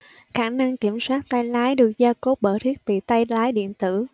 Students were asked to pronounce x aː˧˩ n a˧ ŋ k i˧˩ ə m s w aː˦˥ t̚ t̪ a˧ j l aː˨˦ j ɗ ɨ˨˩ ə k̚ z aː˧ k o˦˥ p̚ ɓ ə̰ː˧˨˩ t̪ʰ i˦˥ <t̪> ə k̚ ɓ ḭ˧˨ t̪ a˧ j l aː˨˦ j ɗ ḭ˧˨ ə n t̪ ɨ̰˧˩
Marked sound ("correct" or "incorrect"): incorrect